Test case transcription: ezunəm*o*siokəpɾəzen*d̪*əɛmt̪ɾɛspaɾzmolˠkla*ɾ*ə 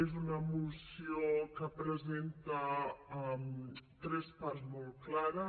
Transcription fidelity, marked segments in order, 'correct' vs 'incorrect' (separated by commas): incorrect, incorrect, correct